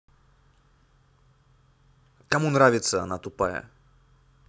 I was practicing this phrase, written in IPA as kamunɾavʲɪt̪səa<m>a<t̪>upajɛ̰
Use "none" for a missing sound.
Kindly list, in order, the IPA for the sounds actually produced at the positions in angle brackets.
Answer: n, t̪

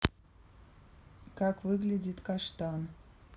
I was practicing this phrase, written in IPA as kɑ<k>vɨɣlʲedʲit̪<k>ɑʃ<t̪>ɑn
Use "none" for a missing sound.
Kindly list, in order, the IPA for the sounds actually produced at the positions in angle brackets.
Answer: k, k, t̪

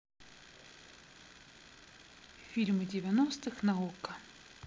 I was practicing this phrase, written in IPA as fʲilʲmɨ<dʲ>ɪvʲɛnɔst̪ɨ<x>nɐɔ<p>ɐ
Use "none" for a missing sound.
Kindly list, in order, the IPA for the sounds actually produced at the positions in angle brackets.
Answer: dʲ, x, k

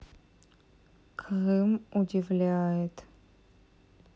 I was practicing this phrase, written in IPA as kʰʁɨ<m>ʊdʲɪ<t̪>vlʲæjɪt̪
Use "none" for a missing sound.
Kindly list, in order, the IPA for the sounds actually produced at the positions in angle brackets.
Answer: m, none

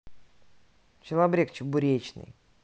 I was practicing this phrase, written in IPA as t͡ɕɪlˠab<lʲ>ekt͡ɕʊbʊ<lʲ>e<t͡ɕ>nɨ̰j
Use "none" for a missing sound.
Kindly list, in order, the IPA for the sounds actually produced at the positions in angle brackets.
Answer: ɾʲ, ɾʲ, t͡ɕ

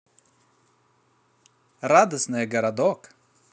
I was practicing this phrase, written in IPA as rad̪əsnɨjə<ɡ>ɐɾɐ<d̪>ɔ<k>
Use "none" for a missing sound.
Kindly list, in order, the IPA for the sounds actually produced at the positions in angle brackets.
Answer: ɡ, d̪, k

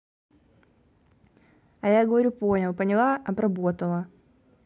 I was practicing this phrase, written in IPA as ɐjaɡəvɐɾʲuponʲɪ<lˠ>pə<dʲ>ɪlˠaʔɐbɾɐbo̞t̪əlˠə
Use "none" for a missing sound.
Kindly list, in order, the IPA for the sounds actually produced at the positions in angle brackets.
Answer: lˠ, nʲ

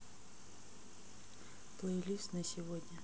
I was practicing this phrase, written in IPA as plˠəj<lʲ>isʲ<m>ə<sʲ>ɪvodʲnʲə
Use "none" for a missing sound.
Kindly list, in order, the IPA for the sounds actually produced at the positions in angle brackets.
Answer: lʲ, n, sʲ

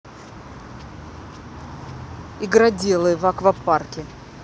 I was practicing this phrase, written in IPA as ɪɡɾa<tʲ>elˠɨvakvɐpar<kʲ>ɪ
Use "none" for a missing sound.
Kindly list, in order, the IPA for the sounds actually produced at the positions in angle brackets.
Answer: dʲ, kʲ

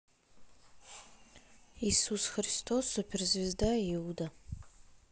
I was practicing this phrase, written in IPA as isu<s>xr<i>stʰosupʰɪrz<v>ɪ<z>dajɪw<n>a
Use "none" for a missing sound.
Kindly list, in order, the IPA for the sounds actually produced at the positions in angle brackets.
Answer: s, i, v, z, d

